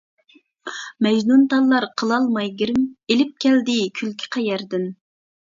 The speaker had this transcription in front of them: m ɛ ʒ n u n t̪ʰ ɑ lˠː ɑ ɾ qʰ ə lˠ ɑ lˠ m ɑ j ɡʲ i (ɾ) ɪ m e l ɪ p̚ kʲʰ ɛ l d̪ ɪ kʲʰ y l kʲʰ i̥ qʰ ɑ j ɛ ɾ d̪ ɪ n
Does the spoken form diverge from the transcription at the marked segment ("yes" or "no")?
no